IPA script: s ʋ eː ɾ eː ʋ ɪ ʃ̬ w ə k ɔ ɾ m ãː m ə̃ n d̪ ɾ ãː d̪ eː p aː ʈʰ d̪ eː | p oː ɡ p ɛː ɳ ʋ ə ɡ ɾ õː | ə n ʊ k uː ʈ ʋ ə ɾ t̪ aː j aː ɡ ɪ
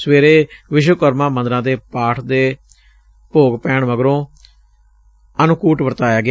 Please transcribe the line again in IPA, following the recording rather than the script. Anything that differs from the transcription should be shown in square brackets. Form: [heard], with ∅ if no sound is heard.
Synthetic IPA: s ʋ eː ɾ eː ʋ ɪ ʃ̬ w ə k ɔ ɾ m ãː m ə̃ n d̪ ɾ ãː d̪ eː p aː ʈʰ d̪ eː | p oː ɡ p ɛː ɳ ʋ ə ɡ ɾ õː | ə n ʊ k uː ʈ ʋ ə ɾ t̪ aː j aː ɡ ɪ